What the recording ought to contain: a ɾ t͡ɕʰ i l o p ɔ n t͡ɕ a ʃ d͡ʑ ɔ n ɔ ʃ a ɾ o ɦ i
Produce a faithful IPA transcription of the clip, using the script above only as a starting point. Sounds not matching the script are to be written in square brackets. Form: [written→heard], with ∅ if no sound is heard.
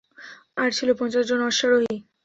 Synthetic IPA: a ɾ t͡ɕʰ i l o p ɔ n t͡ɕ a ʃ d͡ʑ [ɔ→o] n ɔ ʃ a ɾ o ɦ i